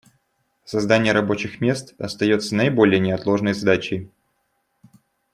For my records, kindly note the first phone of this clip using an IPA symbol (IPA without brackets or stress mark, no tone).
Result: s